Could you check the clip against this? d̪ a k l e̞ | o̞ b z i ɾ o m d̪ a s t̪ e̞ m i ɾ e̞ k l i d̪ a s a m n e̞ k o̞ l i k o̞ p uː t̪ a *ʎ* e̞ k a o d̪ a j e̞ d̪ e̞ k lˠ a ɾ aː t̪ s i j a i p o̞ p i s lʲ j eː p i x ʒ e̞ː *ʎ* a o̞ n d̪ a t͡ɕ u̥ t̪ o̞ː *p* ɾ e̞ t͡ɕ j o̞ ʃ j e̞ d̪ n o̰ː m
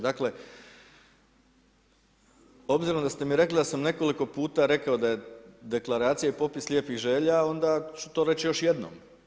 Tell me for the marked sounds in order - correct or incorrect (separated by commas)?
incorrect, correct, incorrect